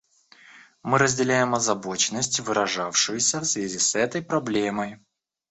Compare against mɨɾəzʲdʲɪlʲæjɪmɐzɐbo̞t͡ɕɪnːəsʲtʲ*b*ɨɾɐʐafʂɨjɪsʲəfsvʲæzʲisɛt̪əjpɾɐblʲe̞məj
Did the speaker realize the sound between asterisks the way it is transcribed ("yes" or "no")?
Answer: no